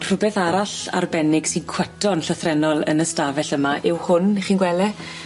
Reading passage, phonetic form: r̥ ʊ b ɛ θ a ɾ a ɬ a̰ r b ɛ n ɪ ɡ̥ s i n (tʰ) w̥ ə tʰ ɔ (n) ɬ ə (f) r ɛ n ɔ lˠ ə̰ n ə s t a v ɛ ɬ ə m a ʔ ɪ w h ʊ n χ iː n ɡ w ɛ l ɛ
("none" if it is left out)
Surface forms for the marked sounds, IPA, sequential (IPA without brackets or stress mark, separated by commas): kʰ, n, θ